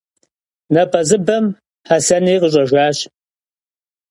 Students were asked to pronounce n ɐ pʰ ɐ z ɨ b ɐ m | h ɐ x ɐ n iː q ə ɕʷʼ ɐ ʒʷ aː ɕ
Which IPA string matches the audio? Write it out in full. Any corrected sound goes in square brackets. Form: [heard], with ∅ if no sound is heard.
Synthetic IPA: n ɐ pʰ ɐ z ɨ b ɐ m | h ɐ [s] ɐ n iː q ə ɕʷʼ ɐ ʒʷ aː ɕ